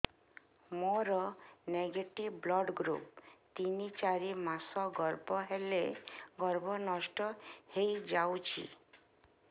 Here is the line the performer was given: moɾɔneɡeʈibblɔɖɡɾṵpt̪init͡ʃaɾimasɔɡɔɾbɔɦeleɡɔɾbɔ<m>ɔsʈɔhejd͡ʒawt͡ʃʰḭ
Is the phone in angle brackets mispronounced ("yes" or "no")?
yes